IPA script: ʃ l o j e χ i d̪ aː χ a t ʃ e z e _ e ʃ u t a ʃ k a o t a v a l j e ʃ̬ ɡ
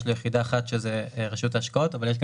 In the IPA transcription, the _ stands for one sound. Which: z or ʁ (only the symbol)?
ʁ